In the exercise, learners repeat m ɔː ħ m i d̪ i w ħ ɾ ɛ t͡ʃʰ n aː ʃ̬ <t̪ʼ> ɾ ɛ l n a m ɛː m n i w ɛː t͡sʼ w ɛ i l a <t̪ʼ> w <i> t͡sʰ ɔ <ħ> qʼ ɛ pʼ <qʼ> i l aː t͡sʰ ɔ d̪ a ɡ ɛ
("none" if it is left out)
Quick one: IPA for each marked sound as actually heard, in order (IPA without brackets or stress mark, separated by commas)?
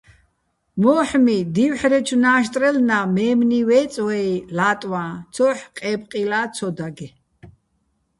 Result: t̪ʼ, t̪ʼ, a, ħ, qʼ